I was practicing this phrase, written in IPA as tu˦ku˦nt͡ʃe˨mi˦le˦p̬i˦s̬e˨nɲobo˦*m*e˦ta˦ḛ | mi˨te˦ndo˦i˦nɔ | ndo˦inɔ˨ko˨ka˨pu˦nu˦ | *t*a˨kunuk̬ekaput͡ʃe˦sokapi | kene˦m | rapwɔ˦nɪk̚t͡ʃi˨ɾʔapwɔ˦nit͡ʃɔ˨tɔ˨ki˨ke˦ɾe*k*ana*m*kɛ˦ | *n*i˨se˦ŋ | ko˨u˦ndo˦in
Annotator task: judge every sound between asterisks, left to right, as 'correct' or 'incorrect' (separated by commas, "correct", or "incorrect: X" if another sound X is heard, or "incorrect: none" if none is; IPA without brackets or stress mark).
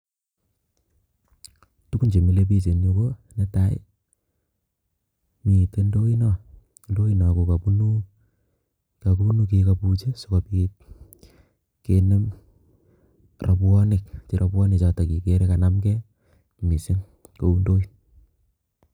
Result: incorrect: n, incorrect: k, correct, correct, incorrect: m